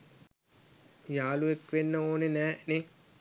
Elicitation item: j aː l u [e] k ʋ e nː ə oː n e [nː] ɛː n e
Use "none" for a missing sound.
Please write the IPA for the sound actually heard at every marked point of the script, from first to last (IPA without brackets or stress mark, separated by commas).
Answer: e, n